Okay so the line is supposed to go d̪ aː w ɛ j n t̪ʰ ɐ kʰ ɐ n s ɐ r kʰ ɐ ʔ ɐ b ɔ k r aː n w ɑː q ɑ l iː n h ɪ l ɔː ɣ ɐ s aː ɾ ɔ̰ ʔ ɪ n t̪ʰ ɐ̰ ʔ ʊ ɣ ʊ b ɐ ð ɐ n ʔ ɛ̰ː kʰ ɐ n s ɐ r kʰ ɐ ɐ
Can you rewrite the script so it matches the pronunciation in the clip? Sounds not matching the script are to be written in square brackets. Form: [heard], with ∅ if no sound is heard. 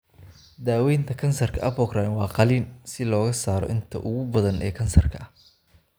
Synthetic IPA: d̪ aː w ɛ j n t̪ʰ ɐ kʰ ɐ n s ɐ r kʰ ɐ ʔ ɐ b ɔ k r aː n w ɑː q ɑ l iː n [s] ɪ l ɔː ɣ ɐ s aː ɾ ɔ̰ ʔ ɪ n t̪ʰ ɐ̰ ʔ ʊ ɣ ʊ b ɐ ð ɐ n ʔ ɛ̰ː kʰ ɐ n s ɐ r kʰ ɐ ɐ